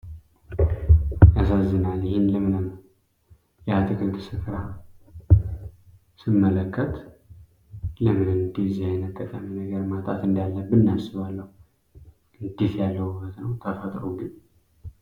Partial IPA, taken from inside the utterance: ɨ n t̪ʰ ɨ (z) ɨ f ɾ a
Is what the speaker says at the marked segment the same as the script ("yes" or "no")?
no